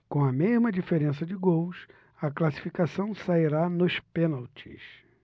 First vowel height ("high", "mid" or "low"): mid